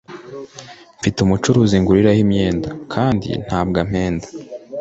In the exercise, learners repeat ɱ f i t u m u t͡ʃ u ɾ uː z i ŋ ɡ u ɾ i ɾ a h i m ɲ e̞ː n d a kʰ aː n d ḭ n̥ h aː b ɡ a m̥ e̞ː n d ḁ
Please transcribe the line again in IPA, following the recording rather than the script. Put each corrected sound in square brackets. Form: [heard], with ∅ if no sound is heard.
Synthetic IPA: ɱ f i t u m u t͡ʃ u ɾ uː z i ŋ ɡ u ɾ i ɾ a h i m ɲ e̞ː n d a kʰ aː n d ḭ n̥ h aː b ɡ a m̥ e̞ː n d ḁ